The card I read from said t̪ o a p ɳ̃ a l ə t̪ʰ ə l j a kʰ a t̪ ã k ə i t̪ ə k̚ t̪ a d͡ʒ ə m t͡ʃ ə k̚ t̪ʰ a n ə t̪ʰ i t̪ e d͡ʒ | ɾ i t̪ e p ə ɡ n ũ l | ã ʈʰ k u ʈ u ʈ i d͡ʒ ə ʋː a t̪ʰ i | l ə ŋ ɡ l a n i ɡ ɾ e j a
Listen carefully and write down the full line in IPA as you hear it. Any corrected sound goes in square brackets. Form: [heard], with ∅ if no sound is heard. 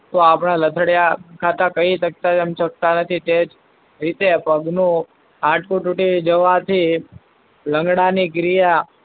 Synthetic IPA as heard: t̪ o a p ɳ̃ a l ə t̪ʰ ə [ɽ] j a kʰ a t̪ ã k ə i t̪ ə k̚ t̪ a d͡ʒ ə m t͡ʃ ə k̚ [t̪] a n ə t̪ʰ i t̪ e d͡ʒ | ɾ i t̪ e p ə ɡ n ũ [∅] | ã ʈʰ k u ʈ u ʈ i d͡ʒ ə [ʋ] a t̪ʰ i | l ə ŋ ɡ [ɽ] a n i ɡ ɾ [i] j a

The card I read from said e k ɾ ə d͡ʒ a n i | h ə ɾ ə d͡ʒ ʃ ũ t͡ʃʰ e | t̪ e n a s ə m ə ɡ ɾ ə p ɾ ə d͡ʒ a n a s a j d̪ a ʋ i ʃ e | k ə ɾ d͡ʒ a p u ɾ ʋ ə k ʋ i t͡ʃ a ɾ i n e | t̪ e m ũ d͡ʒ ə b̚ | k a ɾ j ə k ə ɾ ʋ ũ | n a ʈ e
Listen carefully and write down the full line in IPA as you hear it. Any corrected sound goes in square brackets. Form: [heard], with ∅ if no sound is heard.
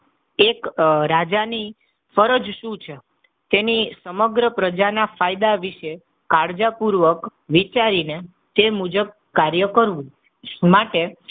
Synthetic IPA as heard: e k ɾ [a] d͡ʒ a n i | [f] ə ɾ ə d͡ʒ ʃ ũ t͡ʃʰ e | t̪ e n [i] s ə m ə ɡ ɾ ə p ɾ ə d͡ʒ a n a [f] a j d̪ a ʋ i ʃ e | k [a] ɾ d͡ʒ a p u ɾ ʋ ə k ʋ i t͡ʃ a ɾ i n e | t̪ e m [u] d͡ʒ ə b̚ | k a ɾ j ə k ə ɾ ʋ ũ | [m] a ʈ e

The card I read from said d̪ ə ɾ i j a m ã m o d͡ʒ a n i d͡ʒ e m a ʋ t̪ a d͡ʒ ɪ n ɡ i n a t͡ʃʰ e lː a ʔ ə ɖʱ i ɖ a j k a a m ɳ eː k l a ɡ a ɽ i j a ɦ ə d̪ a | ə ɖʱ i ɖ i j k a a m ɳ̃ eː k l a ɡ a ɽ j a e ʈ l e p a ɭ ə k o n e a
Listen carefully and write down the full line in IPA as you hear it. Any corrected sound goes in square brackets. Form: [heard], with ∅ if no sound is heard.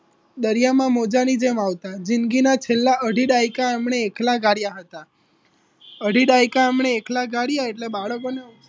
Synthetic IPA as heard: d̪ ə ɾ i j a m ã m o d͡ʒ a n i d͡ʒ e m a ʋ t̪ a d͡ʒ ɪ n ɡ i n a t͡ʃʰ e lː a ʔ ə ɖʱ i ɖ a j k a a m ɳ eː k l a ɡ a ɽ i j a ɦ ə [t̪] a | ə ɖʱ i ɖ [a] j k a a m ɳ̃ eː k l a ɡ a ɽ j a e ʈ l e [b] a ɭ ə k o n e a

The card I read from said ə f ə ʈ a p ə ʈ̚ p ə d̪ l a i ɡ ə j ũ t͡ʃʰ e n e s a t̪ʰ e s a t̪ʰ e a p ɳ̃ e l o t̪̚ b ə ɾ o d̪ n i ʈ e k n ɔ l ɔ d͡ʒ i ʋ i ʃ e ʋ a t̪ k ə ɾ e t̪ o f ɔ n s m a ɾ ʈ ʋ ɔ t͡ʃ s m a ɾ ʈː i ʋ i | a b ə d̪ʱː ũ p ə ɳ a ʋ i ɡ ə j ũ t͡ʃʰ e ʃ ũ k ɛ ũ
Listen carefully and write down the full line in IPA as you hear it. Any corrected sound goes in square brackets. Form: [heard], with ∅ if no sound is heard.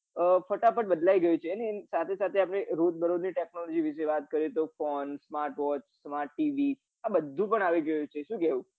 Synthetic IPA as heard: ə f ə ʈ a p ə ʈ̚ [b] ə d̪ l a i ɡ ə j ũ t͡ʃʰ e n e s a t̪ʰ e s a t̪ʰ e a p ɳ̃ e [ɾ] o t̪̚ b ə ɾ o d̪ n i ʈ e k n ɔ l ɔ d͡ʒ i ʋ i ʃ e ʋ a t̪ k ə ɾ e t̪ o f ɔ n s m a ɾ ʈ ʋ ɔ t͡ʃ s m a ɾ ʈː i ʋ i | a b ə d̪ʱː ũ p ə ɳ a ʋ i ɡ ə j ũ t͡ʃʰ e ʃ ũ k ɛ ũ

